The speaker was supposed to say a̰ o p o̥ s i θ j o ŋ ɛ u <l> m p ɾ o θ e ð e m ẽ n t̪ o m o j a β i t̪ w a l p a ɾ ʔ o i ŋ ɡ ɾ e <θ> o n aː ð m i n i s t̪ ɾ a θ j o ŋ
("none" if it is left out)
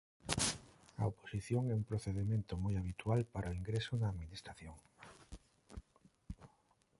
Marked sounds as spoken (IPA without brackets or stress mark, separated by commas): none, s